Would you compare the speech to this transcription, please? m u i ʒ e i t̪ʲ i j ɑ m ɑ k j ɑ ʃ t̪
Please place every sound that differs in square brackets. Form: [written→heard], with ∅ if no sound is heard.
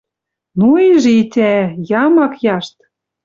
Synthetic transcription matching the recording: [m→n] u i ʒ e i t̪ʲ [i→æ] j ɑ m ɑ k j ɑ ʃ t̪